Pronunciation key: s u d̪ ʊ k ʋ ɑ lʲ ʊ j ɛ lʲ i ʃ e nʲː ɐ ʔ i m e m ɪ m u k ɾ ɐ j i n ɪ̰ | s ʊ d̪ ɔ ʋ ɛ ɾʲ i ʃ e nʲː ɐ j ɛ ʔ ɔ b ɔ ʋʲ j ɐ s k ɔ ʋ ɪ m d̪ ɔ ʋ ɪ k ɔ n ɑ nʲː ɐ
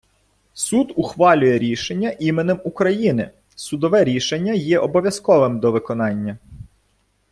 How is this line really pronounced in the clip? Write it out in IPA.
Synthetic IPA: s u d̪ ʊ x ʋ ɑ lʲ ʊ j ɛ ɾʲ i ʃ e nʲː ɐ ʔ i m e n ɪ m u k ɾ ɐ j i n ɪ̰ | s ʊ d̪ ɔ ʋ ɛ ɾʲ i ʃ e nʲː ɐ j ɛ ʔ ɔ b ɔ ʋʲ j ɐ s k ɔ ʋ ɪ m d̪ ɔ ʋ ɪ k ɔ n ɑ nʲː ɐ